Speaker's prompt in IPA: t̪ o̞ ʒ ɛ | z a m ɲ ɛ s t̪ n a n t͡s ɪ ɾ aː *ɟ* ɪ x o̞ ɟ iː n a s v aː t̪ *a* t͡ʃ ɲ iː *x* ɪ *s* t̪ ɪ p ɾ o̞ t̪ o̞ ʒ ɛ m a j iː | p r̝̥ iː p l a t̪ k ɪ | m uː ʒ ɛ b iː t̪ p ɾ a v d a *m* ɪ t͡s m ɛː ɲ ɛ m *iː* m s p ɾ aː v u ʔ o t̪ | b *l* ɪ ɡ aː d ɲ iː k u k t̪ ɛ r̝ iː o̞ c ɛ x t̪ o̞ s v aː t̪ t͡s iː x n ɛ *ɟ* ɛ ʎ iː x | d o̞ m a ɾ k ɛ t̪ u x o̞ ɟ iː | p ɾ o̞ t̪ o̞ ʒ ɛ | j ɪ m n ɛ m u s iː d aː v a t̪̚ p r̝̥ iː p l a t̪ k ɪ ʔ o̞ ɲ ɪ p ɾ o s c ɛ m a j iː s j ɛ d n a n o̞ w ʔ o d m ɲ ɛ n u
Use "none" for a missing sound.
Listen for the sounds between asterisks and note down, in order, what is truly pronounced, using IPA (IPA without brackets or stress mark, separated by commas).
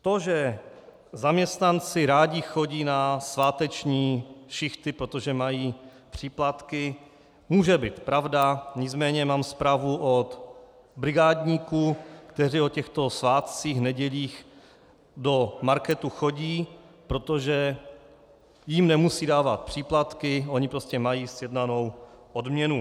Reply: ɟ, ɛ, ʃ, x, ɲ, aː, ɾ, ɟ